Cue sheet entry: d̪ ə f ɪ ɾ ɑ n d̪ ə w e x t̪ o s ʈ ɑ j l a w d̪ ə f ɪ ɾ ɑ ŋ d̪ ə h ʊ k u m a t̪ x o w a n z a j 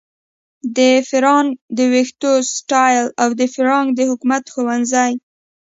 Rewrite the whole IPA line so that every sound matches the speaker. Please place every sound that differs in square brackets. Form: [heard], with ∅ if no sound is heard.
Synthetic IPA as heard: d̪ ə f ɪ ɾ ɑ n d̪ ə w e x t̪ o s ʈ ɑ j l a w d̪ ə f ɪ ɾ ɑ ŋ d̪ ə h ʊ k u m a t̪ x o w a n z a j